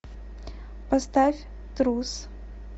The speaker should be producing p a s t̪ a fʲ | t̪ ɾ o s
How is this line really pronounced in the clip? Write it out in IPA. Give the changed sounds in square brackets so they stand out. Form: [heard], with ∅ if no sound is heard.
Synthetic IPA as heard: p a s t̪ a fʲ | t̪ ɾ [u] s